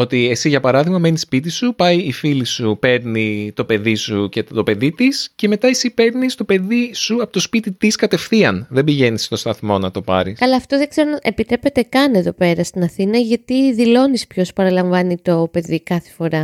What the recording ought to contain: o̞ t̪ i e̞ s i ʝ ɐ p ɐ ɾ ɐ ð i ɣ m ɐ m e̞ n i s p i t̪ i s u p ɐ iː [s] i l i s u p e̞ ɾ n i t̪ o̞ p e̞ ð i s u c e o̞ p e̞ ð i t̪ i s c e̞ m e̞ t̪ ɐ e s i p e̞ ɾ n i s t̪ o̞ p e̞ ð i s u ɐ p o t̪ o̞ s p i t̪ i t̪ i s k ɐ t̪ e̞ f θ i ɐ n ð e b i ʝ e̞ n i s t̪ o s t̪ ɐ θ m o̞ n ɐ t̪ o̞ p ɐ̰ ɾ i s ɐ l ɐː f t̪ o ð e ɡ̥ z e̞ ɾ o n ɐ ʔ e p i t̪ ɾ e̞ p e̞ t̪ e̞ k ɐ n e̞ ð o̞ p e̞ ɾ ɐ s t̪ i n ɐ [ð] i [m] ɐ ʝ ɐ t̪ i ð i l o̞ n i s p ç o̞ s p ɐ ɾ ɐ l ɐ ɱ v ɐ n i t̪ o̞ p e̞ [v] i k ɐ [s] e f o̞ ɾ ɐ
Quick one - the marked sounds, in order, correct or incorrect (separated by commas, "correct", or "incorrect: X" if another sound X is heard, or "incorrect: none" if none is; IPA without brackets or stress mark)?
incorrect: f, incorrect: θ, incorrect: n, incorrect: ð, incorrect: θ